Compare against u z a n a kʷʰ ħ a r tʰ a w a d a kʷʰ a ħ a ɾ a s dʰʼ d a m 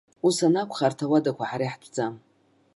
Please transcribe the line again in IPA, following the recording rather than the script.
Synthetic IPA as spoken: u s a n a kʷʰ χ a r tʰ a w a d a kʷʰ a ħ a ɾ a ħ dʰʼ d͡z a m